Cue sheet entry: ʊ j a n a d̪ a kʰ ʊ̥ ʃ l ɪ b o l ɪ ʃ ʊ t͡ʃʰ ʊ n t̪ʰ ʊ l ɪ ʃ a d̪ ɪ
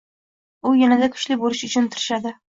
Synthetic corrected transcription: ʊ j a n a d̪ a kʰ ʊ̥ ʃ l ɪ b o l ɪ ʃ ʊ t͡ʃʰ ʊ n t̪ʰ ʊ ɾ ɪ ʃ a d̪ ɪ

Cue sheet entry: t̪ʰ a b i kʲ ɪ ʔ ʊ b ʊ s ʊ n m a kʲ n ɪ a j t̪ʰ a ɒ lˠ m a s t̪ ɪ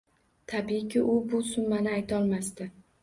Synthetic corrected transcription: t̪ʰ a b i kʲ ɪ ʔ ʊ b ʊ s ʊ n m a n ɪ a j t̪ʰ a ɒ lˠ m a s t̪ ɪ

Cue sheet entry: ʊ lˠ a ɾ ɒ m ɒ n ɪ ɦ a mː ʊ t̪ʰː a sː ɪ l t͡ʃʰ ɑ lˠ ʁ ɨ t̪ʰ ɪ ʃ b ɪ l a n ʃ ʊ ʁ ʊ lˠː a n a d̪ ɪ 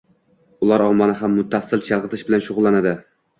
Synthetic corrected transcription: ʊ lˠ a ɾ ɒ m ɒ n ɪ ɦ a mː ʊ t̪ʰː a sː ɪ l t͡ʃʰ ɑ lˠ ʁ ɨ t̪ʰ ɪ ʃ b ɪ l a n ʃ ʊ ʁ ʊ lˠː a n a d̪ ɪ

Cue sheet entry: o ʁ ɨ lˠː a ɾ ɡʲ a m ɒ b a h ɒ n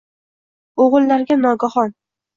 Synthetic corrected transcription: o ʁ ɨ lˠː a ɾ ɡʲ a n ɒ ɡ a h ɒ n

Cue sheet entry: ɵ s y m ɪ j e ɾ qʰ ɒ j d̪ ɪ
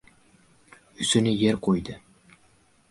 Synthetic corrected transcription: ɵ s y n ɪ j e ɾ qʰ o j d̪ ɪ

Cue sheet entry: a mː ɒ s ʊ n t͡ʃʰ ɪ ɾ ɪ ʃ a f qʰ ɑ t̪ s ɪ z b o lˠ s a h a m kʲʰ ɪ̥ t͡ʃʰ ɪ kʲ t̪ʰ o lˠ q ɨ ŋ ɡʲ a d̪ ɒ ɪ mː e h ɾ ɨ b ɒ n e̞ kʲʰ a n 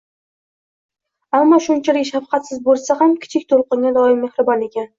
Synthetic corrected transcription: a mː ɒ ʃ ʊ n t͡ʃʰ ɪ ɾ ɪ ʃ a f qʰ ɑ t̪ s ɪ z b o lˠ s a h a m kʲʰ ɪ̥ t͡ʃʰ ɪ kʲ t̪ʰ o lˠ q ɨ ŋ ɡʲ a d̪ ɒ ɪ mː e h ɾ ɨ b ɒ n e̞ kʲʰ a n

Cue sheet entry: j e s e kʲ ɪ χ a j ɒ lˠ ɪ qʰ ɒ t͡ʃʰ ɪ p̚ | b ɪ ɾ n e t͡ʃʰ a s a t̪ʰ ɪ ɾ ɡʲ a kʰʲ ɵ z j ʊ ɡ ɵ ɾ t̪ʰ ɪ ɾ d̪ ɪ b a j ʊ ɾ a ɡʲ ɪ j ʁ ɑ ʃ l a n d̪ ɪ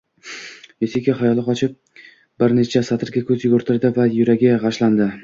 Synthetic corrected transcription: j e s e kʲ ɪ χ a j ɒ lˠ ɪ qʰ ɒ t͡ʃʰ ɪ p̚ | b ɪ ɾ n e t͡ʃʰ a s a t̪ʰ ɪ ɾ ɡʲ a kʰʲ ɵ z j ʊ ɡ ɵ ɾ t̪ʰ ɪ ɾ d̪ ɪ v a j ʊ ɾ a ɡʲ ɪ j ʁ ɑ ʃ l a n d̪ ɪ

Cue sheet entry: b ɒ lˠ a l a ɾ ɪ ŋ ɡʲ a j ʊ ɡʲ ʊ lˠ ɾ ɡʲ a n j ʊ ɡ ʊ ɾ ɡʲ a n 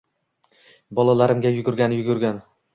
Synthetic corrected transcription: b ɒ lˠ a l a ɾ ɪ m ɡʲ a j ʊ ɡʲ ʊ ɾ ɡʲ a n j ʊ ɡ ʊ ɾ ɡʲ a n

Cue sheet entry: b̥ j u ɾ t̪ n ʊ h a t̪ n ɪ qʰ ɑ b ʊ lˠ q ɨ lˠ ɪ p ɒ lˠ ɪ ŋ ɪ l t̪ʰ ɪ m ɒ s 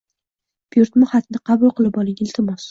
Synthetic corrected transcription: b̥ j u ɾ t̪ m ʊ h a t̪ n ɪ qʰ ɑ b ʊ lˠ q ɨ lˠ ɪ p ɒ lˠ ɪ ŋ ɪ l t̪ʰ ɪ m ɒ s

